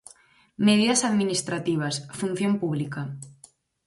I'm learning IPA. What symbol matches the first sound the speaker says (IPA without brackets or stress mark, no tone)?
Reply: m